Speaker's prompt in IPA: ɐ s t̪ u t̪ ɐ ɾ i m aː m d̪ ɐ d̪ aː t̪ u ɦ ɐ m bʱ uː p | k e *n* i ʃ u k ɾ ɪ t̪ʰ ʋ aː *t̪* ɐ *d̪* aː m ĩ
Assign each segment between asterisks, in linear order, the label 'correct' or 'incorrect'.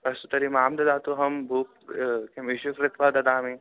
incorrect, incorrect, correct

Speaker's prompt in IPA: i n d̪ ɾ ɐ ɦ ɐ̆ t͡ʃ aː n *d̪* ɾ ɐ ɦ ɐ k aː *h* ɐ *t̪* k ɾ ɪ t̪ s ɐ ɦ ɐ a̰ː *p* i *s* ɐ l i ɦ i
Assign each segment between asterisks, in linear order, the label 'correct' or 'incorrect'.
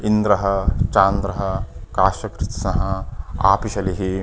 correct, incorrect, incorrect, correct, incorrect

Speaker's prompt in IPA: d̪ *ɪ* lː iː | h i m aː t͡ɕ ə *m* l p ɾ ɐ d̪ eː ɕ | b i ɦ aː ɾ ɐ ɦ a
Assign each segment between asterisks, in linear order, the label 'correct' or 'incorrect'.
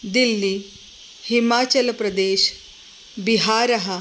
incorrect, incorrect

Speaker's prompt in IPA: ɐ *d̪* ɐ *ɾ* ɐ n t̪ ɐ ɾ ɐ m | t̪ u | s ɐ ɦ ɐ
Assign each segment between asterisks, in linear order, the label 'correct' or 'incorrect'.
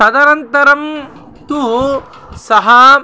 correct, correct

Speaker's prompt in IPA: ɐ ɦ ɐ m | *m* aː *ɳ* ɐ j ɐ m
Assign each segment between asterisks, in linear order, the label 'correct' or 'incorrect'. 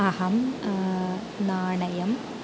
incorrect, correct

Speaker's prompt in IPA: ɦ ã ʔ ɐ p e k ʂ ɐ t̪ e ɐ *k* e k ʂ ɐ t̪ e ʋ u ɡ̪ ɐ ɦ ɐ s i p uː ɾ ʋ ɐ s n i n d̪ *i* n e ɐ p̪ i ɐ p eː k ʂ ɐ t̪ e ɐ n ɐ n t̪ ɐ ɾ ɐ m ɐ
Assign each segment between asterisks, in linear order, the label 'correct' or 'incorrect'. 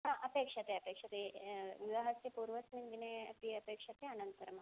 incorrect, correct

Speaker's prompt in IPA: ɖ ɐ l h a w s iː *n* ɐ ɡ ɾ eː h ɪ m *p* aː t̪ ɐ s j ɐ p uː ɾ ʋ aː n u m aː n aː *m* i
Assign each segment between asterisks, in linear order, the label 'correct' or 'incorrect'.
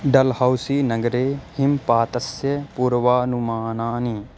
correct, correct, incorrect

